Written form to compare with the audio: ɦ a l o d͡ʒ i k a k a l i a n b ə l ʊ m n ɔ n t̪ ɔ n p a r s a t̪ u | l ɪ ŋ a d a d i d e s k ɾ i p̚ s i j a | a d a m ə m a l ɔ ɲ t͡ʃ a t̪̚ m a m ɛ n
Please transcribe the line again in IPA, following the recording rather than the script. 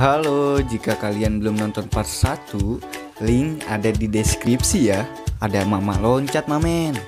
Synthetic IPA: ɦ a l o d͡ʒ i k a k a l i a n b ə l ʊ m n ɔ n t̪ ɔ n p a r s a t̪ u | l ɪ ŋ a d a d i d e s k ɾ i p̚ s i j a | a d a m a m a l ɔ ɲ t͡ʃ a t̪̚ m a m ɛ n